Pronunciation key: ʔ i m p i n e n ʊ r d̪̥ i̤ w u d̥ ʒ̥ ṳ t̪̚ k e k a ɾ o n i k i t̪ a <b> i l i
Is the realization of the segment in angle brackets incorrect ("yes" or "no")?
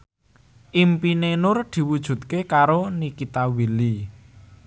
yes